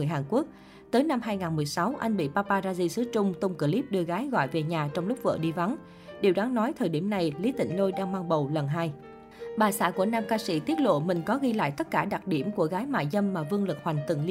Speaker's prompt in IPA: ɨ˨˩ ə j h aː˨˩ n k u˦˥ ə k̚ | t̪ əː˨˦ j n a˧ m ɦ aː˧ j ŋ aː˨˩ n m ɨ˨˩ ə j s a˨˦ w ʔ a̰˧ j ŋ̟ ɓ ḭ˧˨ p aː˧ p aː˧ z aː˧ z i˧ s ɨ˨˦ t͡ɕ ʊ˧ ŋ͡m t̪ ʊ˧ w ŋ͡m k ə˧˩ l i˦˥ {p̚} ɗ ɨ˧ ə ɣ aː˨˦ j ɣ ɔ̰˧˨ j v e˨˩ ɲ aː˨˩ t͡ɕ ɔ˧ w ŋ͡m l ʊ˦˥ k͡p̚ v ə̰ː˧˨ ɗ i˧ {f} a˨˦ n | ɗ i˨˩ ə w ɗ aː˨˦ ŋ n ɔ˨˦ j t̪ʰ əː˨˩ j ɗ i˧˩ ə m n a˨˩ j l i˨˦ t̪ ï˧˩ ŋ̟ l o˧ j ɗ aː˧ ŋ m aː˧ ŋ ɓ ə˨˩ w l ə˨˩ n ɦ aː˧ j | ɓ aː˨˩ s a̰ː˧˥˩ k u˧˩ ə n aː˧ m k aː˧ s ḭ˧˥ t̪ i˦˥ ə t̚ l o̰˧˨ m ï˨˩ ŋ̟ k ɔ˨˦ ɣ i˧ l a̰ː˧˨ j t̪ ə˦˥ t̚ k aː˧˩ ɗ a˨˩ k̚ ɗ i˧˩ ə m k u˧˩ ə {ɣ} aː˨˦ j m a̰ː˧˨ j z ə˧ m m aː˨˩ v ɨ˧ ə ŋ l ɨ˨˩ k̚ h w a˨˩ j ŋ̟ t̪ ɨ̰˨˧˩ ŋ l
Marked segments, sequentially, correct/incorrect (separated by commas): correct, incorrect, correct